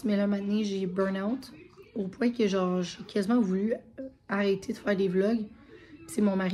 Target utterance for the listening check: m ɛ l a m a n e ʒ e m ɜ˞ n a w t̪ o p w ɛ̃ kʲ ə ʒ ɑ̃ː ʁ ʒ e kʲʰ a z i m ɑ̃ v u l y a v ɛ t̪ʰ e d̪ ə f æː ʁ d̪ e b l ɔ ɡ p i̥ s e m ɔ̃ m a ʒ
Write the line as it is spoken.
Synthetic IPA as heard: m ɛ l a m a n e ʒ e b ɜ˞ n a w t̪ o p w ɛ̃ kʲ ə ʒ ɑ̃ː ʁ ʒ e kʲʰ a z i m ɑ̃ v u l y a ʁ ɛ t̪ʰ e d̪ ə f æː ʁ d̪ e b l ɔ ɡ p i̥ s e m ɔ̃ m a ʁ

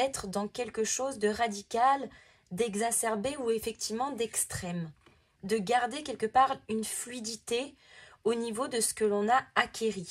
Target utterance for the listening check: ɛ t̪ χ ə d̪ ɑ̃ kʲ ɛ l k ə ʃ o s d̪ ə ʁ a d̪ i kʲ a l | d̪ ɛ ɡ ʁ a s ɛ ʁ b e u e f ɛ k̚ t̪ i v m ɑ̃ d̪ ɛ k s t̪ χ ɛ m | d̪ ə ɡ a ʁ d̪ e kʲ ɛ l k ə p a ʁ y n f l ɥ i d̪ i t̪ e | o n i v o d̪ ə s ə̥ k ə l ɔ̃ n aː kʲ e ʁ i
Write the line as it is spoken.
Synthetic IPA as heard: ɛ t̪ χ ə d̪ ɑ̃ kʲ ɛ l k ə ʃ o z d̪ ə ʁ a d̪ i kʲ a l | d̪ ɛ ɡ z a s ɛ ʁ b e u e f ɛ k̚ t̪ i v m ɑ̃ d̪ ɛ k s t̪ χ ɛ m | d̪ ə ɡ a ʁ d̪ e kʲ ɛ l k ə p a ʁ y n f l ɥ i d̪ i t̪ e | o n i v o d̪ ə s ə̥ k ə l ɔ̃ n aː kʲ e ʁ i

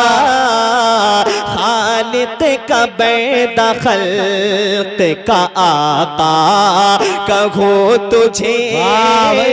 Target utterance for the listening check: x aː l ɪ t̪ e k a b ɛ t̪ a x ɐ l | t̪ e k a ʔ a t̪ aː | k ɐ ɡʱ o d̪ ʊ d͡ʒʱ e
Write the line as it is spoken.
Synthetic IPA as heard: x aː l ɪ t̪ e k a b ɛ d̪ a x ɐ l | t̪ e k a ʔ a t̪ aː | k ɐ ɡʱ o t̪ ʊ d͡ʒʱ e

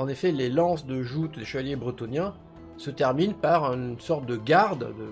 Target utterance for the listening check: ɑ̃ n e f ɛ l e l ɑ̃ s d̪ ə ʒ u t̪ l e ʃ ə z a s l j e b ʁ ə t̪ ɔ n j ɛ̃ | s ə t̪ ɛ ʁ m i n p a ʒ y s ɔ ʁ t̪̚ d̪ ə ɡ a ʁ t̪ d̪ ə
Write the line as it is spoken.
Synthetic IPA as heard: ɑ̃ n e f ɛ l e l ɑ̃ s d̪ ə ʒ u t̪ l e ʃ ə v a l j e b ʁ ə t̪ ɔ n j ɛ̃ | s ə t̪ ɛ ʁ m i n p a ʁ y s ɔ ʁ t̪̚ d̪ ə ɡ a ʁ d̪ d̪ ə

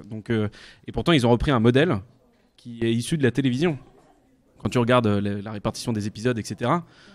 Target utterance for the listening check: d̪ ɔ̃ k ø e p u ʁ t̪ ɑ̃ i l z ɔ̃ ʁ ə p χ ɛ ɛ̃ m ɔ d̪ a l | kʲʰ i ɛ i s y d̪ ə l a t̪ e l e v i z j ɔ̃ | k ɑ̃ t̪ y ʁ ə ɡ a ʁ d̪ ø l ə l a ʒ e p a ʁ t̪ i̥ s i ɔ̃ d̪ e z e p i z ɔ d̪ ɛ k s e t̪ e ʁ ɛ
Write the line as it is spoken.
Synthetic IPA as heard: d̪ ɔ̃ k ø e p u ʁ t̪ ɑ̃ i l z ɔ̃ ʁ ə p χ i ɛ̃ m ɔ d̪ ɛ l | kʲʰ i ɛ i s y d̪ ə l a t̪ e l e v i z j ɔ̃ | k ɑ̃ t̪ y ʁ ə ɡ a ʁ d̪ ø l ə l a ʁ e p a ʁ t̪ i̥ s j ɔ̃ d̪ e z e p i z ɔ d̪ ɛ k s e t̪ e ʁ a

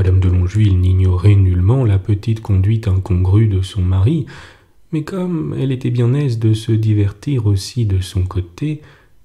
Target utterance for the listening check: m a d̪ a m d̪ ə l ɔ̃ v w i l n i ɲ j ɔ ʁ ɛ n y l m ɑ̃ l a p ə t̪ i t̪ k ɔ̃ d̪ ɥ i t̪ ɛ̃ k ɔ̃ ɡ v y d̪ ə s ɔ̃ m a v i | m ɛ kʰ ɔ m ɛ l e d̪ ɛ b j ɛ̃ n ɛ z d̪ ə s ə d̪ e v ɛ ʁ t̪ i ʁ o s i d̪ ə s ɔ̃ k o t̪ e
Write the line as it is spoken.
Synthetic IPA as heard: m a d̪ a m d̪ ə l ɔ̃ ʒ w i l n i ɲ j ɔ ʁ ɛ n y l m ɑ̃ l a p ə t̪ i t̪ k ɔ̃ d̪ ɥ i t̪ ɛ̃ k ɔ̃ ɡ ʁ y d̪ ə s ɔ̃ m a ʁ i | m ɛ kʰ ɔ m ɛ l e t̪ ɛ b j ɛ̃ n ɛ z d̪ ə s ə d̪ i v ɛ ʁ t̪ i ʁ o s i d̪ ə s ɔ̃ k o t̪ e

